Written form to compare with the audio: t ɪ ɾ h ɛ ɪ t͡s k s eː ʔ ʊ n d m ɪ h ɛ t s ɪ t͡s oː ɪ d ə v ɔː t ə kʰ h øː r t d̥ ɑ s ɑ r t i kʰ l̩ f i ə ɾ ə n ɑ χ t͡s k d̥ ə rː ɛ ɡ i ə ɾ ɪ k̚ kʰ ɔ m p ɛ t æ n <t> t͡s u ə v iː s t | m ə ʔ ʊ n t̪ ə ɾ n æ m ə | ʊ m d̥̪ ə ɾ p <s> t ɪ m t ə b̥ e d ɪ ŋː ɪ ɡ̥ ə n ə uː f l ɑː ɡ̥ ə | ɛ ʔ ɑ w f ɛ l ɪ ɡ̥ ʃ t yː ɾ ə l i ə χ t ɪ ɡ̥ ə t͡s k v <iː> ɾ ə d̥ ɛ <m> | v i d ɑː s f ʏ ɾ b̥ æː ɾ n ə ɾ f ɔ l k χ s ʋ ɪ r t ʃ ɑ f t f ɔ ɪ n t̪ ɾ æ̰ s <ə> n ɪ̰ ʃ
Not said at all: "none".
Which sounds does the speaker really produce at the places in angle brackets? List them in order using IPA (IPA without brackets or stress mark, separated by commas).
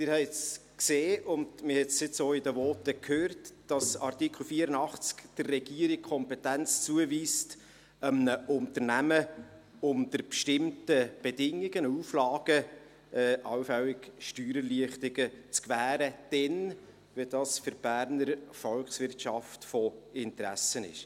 t͡s, ʃ, æː, n, ə